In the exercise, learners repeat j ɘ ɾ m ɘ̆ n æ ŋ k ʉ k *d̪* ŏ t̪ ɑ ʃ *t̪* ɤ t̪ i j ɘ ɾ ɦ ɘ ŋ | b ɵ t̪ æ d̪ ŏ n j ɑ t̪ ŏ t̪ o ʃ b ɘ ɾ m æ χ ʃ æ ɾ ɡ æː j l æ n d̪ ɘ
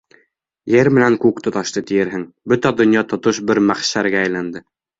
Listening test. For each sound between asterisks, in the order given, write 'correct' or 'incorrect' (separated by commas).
incorrect, correct